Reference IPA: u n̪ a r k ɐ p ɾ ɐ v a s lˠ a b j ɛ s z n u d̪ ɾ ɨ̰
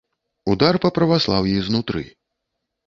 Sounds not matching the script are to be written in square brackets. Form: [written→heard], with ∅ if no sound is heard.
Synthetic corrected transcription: u [n̪→d̪] a r [k→p] ɐ p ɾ ɐ v a s lˠ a [b→w] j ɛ [s→∅] z n u [d̪→t̪] ɾ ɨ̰